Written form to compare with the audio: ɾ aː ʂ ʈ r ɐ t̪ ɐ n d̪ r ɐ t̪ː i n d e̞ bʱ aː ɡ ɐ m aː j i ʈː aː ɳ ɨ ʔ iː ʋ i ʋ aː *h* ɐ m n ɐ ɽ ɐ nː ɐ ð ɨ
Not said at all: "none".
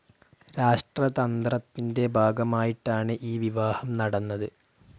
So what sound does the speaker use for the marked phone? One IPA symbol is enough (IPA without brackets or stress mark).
h